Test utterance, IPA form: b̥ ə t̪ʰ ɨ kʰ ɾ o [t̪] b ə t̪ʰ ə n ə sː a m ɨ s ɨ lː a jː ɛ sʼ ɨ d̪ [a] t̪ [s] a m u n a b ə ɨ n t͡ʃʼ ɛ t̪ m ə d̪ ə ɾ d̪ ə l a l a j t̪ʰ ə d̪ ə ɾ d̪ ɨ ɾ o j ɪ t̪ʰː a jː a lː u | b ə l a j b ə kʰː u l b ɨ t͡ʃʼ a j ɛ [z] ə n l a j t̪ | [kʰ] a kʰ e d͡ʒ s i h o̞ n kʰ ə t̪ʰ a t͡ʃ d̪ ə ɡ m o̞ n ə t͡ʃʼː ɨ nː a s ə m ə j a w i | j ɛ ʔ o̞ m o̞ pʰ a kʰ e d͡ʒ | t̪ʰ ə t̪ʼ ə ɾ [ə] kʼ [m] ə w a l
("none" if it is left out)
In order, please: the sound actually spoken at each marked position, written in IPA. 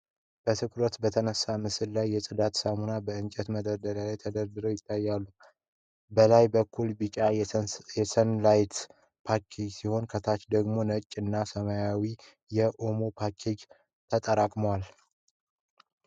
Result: t̪, a, s, s, pʰ, a, m

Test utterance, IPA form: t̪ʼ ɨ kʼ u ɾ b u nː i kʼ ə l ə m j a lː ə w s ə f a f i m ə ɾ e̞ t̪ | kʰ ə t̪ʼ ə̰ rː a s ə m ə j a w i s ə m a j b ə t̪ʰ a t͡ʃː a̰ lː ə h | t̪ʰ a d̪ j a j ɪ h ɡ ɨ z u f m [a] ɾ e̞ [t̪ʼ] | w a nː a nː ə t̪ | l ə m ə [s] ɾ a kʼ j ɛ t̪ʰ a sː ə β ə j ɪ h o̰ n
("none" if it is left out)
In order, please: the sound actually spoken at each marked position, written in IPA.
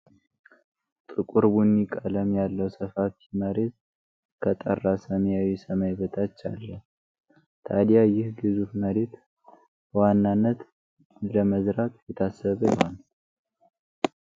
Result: ə, t̪, z

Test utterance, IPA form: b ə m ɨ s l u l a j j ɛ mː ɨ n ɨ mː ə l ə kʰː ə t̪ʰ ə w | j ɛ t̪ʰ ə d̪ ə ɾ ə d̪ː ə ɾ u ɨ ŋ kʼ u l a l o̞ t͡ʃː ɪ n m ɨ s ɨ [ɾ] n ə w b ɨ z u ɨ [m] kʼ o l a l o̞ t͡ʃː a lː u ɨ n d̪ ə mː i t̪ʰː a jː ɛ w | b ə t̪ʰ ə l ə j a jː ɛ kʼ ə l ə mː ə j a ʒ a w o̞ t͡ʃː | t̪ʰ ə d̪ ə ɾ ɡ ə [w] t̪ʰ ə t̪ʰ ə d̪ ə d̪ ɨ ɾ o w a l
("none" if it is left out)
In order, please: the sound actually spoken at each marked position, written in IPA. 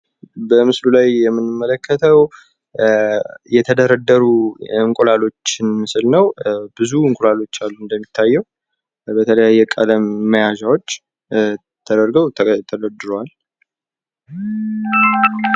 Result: l, ŋ, w

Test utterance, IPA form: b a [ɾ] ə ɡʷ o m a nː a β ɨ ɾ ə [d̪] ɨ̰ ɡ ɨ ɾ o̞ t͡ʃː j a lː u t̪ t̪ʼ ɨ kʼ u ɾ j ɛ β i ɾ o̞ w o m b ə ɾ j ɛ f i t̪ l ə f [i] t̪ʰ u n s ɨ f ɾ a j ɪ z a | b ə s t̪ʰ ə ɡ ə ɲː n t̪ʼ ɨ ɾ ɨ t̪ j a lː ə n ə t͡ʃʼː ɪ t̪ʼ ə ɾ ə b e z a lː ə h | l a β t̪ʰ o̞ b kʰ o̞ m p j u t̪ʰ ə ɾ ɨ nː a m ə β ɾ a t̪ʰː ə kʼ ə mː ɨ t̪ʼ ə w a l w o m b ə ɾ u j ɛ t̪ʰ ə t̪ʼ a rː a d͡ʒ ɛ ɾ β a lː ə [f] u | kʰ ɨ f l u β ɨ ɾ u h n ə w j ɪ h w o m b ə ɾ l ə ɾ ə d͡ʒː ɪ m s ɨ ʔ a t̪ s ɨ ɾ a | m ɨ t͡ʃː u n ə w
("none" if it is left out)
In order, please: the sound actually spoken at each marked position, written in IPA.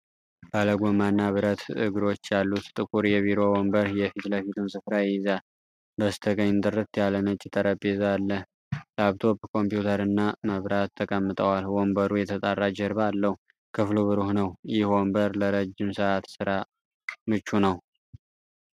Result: l, t̪, i, h

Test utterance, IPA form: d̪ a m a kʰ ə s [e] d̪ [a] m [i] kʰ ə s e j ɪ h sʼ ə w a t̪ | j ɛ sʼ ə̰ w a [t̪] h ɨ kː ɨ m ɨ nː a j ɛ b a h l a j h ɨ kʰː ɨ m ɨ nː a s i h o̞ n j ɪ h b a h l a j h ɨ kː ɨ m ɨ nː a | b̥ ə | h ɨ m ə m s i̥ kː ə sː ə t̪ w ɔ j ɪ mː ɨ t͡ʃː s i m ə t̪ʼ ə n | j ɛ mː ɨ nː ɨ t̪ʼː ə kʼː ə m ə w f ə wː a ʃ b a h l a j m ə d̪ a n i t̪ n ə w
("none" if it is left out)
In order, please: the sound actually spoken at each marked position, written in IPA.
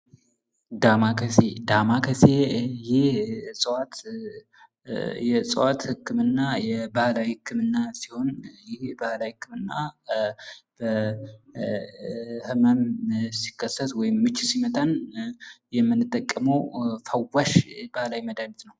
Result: e, a, a, t̪

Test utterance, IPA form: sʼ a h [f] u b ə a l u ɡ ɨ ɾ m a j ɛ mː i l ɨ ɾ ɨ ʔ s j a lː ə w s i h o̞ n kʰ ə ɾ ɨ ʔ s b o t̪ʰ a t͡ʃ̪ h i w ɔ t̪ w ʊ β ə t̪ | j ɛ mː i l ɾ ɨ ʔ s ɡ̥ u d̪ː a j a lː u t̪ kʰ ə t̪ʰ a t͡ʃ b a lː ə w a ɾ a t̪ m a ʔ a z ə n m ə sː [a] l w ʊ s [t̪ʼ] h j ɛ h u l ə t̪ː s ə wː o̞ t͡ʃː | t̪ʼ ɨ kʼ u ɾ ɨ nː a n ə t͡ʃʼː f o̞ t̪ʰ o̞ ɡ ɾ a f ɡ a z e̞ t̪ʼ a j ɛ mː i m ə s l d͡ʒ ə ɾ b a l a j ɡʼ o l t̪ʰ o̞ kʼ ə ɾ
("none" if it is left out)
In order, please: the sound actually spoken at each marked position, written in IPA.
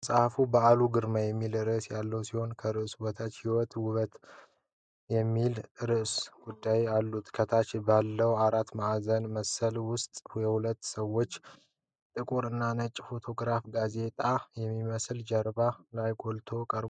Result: f, ə, t̪ʼ

